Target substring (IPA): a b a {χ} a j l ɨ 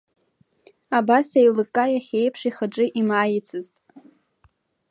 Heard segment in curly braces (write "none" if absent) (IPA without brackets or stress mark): s